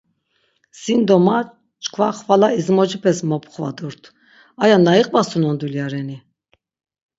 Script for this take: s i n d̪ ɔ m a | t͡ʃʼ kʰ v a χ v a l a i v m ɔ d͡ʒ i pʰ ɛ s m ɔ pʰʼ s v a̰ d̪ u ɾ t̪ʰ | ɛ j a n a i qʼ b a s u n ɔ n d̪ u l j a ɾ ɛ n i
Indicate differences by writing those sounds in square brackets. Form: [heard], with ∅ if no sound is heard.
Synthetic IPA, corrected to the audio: s i n d̪ ɔ m a | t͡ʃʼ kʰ v a χ v a l a i [z] m ɔ d͡ʒ i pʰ ɛ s m ɔ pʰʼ [χ] v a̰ d̪ u ɾ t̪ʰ | [a] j a n a i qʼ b a s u n ɔ n d̪ u l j a ɾ ɛ n i

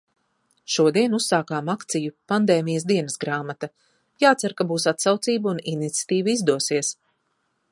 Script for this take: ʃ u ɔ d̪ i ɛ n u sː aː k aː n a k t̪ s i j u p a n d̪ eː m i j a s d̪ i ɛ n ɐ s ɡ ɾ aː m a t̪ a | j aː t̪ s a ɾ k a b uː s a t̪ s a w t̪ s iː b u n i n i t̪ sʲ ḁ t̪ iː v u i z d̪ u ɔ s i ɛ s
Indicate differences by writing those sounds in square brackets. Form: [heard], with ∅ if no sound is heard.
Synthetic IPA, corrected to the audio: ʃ u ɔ d̪ i ɛ n u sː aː k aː [m] a k t̪ s i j u p a n d̪ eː m i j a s d̪ i ɛ n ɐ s ɡ ɾ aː m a t̪ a | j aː t̪ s a ɾ k a b uː s a t̪ s a w t̪ s iː b u n i n i t̪ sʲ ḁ t̪ iː v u i z d̪ u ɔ s i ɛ s

